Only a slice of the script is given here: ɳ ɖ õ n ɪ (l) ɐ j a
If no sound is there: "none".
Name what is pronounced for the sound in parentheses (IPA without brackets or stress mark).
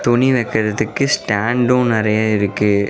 ɾ